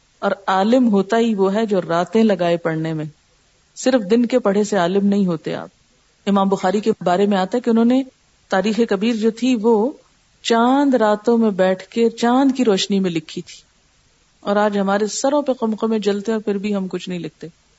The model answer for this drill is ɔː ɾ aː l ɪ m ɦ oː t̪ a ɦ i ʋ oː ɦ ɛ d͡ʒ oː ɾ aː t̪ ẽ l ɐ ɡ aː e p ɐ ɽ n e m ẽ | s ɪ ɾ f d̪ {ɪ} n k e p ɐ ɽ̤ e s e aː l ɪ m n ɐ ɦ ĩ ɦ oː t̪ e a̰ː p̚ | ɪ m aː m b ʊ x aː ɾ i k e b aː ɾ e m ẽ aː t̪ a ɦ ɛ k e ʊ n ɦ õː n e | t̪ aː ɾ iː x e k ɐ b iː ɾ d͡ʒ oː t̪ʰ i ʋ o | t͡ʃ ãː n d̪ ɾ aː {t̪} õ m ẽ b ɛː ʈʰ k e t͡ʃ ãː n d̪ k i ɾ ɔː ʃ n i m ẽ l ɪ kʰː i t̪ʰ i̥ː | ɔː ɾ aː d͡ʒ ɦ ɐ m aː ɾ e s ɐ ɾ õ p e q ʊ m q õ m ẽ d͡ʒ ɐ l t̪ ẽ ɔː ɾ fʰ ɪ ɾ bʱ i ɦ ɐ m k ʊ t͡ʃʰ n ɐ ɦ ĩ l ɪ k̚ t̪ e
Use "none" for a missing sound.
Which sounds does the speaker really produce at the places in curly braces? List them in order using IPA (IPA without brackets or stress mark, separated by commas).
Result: ɪ, t̪